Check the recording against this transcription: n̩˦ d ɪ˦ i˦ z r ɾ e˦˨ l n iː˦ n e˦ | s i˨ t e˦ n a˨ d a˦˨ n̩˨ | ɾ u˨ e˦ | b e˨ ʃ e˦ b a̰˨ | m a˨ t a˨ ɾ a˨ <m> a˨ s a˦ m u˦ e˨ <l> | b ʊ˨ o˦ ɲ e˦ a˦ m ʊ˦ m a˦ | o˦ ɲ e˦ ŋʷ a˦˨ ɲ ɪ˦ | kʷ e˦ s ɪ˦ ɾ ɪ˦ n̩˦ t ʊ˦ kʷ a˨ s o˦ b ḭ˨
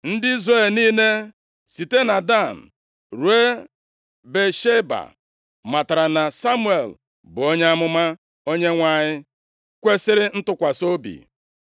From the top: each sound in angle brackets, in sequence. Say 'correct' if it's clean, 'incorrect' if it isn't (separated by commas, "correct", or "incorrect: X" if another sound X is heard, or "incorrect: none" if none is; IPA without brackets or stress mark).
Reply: incorrect: n, correct